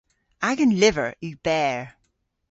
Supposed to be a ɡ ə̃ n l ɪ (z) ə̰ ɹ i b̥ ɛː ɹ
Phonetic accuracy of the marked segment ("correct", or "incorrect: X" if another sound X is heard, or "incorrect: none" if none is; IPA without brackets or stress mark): incorrect: v